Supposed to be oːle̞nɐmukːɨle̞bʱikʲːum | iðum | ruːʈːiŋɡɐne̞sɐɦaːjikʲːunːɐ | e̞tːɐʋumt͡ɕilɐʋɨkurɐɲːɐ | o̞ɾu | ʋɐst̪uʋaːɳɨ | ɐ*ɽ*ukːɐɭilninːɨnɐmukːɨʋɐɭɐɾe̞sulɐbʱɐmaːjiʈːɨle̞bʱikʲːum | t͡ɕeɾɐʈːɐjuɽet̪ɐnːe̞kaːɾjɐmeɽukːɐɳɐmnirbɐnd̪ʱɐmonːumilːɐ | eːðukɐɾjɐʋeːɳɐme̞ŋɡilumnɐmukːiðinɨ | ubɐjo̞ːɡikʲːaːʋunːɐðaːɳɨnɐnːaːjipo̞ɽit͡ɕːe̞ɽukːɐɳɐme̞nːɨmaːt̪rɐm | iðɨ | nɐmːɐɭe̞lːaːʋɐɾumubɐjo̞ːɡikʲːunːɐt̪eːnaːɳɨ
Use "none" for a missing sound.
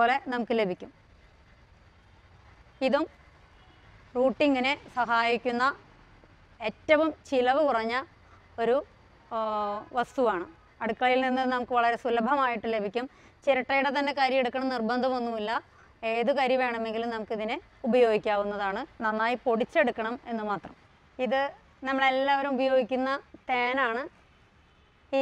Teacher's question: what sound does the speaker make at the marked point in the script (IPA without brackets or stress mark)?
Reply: ɽ